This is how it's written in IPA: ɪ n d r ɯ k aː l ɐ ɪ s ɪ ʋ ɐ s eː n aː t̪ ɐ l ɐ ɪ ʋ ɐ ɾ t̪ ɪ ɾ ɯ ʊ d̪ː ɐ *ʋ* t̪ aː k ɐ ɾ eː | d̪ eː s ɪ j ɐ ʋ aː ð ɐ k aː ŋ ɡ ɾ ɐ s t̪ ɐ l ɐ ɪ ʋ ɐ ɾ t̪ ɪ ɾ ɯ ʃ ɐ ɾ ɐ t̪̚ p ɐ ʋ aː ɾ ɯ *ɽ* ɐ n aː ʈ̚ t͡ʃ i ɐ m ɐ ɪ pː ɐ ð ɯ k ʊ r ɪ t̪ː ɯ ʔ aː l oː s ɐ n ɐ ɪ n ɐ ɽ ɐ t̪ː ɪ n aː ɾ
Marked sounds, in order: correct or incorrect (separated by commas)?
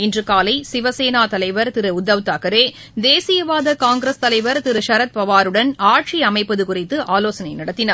correct, correct